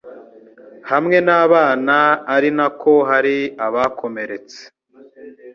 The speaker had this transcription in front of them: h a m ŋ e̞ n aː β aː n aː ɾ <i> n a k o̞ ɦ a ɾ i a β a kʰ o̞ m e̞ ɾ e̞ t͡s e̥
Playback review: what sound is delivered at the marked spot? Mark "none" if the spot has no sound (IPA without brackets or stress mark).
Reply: i